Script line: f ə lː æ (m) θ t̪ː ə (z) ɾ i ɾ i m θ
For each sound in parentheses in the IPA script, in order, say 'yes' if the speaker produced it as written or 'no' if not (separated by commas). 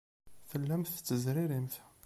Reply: yes, yes